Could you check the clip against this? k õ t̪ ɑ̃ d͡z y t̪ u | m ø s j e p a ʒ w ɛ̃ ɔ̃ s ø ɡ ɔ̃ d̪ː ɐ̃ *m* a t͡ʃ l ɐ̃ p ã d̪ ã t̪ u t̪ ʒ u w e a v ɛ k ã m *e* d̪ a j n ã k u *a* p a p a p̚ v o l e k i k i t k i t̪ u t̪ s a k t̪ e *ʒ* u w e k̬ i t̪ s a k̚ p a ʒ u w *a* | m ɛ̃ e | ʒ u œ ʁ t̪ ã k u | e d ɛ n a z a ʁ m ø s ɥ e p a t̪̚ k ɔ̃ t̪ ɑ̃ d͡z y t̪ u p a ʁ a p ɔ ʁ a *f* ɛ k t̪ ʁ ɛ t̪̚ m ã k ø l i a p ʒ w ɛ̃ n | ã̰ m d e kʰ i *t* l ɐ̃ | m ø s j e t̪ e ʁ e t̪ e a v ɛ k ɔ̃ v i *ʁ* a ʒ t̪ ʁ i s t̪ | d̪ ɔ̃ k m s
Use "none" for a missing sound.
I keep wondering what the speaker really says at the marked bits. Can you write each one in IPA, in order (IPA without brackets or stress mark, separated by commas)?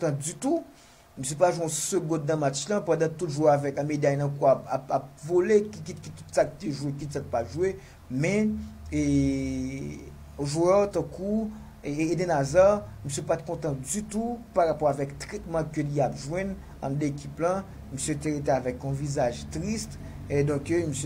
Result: m, e, a, ʒ, e, v, p, z